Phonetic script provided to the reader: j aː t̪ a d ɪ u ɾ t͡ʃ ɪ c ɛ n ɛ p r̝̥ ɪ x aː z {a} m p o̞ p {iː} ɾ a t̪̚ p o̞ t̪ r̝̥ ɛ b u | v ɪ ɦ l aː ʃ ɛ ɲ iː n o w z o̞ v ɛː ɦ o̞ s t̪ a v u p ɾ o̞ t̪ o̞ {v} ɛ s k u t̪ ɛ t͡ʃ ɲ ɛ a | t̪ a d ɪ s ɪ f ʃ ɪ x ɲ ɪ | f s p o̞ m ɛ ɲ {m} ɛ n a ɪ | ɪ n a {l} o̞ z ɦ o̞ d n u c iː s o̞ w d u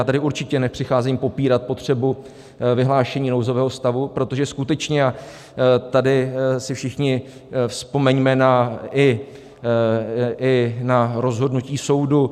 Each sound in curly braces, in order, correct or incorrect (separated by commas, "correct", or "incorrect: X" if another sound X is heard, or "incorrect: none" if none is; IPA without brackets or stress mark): incorrect: i, correct, incorrect: ʒ, correct, incorrect: ɾ